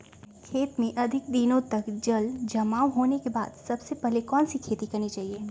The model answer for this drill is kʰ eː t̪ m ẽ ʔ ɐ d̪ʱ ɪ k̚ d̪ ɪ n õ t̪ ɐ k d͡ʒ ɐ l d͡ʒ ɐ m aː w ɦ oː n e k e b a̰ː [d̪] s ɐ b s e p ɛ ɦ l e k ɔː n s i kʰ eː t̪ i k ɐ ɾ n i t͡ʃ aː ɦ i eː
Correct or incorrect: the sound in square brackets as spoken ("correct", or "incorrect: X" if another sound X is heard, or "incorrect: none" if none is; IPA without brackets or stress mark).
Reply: correct